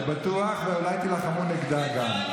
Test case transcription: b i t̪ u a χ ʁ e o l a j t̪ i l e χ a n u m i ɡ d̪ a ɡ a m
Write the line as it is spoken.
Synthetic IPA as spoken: b a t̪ u a χ v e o l a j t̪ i l a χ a m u n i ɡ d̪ a ɡ a m